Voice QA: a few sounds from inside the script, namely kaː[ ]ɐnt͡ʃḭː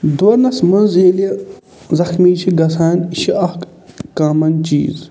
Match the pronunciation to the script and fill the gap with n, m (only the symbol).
m